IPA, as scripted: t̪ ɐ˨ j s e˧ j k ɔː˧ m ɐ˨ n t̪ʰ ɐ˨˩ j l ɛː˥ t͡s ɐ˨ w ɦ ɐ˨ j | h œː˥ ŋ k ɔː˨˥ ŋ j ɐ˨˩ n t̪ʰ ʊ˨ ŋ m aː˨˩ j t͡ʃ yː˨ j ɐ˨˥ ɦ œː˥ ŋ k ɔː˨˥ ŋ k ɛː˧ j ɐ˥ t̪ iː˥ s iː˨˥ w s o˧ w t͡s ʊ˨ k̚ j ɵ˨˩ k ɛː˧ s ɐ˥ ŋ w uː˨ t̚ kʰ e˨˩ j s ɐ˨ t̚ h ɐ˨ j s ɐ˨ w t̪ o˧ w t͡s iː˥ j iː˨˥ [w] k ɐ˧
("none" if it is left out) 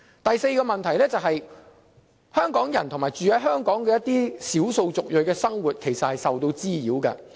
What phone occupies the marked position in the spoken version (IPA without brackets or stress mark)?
w